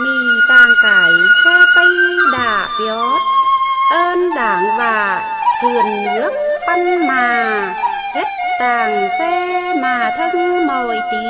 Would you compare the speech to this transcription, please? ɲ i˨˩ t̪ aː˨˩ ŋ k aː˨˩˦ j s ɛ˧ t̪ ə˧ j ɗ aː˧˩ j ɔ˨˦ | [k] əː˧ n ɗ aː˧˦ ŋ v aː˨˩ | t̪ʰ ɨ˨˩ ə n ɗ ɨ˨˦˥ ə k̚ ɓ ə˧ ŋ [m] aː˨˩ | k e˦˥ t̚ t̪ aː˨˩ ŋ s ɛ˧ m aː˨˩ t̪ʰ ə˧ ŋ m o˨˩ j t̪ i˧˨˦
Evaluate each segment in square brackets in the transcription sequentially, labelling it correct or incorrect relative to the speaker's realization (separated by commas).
incorrect, correct